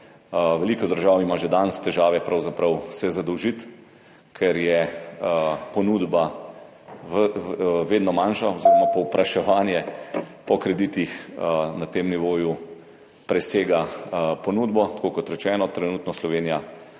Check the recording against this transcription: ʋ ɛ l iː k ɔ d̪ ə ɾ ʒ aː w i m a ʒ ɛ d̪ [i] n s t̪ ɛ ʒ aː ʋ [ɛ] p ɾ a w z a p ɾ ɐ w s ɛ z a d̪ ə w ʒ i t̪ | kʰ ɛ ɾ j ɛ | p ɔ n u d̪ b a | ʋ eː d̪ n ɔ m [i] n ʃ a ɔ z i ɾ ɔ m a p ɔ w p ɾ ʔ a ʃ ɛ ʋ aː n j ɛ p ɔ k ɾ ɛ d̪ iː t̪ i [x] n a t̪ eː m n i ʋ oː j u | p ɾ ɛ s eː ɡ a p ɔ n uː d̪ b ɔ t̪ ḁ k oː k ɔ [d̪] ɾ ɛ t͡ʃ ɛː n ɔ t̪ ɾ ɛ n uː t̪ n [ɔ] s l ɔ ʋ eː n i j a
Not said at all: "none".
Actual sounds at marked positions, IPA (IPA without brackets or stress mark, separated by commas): a, ɛ, a, x, t̪, ɔ